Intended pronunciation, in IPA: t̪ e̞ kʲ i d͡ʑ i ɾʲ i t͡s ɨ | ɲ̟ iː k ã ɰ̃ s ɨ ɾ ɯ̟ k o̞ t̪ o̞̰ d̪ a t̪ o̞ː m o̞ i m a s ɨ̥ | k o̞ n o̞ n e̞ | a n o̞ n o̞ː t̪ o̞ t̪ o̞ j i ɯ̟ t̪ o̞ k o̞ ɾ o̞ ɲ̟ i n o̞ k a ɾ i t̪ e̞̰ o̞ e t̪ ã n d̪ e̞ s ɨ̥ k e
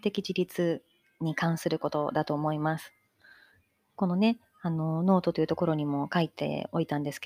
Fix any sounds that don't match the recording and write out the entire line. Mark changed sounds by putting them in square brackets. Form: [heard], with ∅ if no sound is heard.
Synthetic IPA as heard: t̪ e̞ kʲ i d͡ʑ i ɾʲ i t͡s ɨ | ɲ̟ [i] k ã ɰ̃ s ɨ ɾ ɯ̟ k o̞ t̪ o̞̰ d̪ a t̪ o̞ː m o̞ i m a s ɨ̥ | k o̞ n o̞ n e̞ | a n o̞ n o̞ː t̪ o̞ t̪ o̞ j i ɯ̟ t̪ o̞ k o̞ ɾ o̞ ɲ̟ i [m] o̞ k a [∅] i t̪ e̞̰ o̞ [i] t̪ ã n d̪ e̞ s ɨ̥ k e